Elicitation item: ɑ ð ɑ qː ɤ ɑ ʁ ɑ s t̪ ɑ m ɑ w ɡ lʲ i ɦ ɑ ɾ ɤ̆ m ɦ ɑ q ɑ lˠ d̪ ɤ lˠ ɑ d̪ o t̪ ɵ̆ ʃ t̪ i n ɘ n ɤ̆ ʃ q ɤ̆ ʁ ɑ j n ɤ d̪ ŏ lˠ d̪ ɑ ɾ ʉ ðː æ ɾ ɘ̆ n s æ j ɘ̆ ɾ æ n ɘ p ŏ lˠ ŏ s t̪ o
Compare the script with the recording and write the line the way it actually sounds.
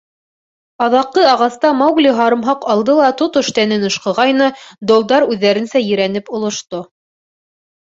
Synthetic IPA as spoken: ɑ ð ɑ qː ɤ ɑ ʁ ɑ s t̪ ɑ m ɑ w ɡ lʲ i ɦ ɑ ɾ ɤ̆ m ɦ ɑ q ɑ lˠ d̪ ɤ lˠ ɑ t̪ o t̪ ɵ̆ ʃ t̪ æ n ɘ n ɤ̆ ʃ q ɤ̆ ʁ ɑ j n ɤ d̪ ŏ lˠ d̪ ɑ ɾ ʉ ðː æ ɾ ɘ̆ n s æ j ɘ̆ ɾ æ n ɘ p ŏ lˠ ŏ ʃ t̪ o